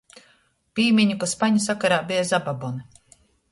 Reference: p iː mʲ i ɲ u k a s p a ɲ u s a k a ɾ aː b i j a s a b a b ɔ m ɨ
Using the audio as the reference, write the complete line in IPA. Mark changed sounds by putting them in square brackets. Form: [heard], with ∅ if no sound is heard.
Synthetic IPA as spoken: p iː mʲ i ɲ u k a s p a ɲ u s a k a ɾ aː b i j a [z] a b a b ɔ [n] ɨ